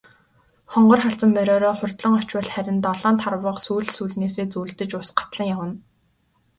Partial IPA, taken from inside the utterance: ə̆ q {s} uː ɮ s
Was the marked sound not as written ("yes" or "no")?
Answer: no